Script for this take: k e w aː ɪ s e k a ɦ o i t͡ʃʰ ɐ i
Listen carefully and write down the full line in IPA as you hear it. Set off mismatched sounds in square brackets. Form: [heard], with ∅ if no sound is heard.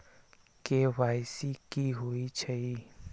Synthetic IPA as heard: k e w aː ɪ s [i] k [i] ɦ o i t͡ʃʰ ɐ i